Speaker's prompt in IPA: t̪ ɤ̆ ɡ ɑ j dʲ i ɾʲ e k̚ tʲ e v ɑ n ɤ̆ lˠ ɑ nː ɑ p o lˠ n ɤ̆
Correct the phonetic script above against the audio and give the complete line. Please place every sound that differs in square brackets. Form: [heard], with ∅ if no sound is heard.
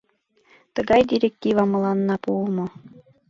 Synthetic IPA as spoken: t̪ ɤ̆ ɡ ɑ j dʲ i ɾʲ e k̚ tʲ [i] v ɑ [m] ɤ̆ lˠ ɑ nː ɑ p [u] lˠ [m] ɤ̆